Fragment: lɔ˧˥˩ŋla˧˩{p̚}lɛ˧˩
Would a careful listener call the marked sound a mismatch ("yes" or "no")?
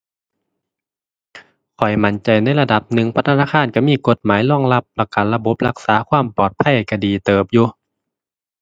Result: no